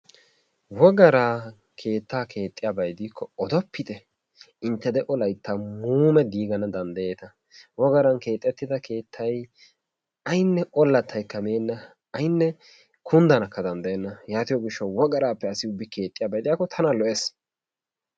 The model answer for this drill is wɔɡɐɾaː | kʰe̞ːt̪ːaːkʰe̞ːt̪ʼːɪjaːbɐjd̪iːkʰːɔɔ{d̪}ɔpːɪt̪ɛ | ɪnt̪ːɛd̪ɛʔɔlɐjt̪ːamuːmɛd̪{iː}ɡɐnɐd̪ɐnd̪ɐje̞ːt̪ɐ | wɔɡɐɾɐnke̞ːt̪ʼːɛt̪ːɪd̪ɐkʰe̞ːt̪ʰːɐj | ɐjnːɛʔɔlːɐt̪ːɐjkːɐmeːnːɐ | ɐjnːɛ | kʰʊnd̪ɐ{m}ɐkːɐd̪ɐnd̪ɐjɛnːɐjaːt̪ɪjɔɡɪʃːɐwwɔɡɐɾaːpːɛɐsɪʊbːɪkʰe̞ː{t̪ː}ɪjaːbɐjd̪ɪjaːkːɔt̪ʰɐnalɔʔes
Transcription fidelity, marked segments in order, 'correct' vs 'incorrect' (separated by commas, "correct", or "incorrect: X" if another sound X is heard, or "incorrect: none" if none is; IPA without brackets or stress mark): correct, correct, incorrect: n, incorrect: t̪ʼː